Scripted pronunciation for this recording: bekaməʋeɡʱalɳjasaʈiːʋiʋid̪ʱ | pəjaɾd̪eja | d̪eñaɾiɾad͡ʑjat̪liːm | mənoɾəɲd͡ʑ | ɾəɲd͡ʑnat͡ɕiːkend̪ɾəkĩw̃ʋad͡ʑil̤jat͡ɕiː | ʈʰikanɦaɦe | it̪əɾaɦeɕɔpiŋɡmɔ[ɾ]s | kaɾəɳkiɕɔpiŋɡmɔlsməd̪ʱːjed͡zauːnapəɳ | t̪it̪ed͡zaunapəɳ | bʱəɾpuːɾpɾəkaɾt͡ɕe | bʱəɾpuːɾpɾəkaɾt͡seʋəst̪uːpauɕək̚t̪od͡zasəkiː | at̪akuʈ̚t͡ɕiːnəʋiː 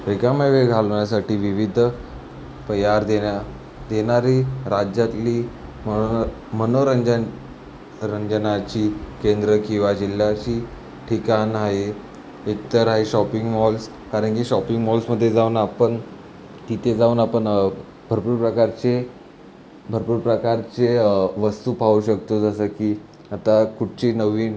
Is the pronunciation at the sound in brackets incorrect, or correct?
incorrect